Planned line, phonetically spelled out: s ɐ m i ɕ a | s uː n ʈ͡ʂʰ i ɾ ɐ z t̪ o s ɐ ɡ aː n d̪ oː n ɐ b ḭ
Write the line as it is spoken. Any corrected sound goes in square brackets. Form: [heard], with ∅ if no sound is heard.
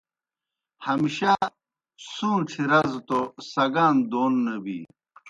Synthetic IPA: [h] ɐ m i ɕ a | s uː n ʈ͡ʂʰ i ɾ ɐ z t̪ o s ɐ ɡ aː n d̪ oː [nː] ɐ b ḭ